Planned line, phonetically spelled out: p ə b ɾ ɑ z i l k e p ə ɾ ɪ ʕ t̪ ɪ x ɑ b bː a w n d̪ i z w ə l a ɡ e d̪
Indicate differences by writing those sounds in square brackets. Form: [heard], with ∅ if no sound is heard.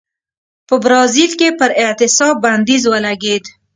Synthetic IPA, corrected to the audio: p ə b ɾ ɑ z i l k e p ə ɾ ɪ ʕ t̪ ɪ [s] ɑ b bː a [∅] n d̪ i z w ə l a ɡ e d̪